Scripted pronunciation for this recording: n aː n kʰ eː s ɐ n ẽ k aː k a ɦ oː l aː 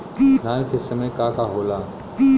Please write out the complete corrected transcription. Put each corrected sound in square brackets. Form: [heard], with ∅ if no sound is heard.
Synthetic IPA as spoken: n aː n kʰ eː s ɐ [m] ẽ k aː k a ɦ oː l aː